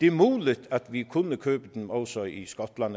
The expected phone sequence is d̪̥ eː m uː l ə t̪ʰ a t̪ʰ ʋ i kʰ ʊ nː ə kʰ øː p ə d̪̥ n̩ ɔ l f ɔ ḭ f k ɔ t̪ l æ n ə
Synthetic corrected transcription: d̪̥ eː m uː l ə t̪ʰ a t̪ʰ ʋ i kʰ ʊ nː ə kʰ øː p ə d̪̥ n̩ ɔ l s ɔ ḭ s k ɔ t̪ l a n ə